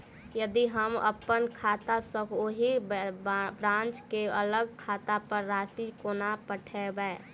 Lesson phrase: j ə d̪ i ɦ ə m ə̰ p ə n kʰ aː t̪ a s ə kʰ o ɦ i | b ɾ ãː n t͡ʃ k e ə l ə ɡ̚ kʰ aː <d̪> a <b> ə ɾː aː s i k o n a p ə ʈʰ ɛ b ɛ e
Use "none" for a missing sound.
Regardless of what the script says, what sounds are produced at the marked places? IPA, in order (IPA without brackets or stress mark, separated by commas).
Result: t̪, p